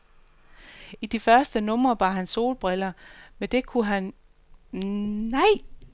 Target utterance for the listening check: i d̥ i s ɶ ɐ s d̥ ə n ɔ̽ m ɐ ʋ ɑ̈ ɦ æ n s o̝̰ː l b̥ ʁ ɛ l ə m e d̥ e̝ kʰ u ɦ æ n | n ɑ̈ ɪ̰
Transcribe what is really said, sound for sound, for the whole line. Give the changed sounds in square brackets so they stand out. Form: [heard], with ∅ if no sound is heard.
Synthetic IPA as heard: i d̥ i [f] ɶ ɐ s d̥ ə n ɔ̽ m ɐ ʋ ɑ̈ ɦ æ n s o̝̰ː l b̥ ʁ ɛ l [ɐ] m e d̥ e̝ kʰ u ɦ æ n | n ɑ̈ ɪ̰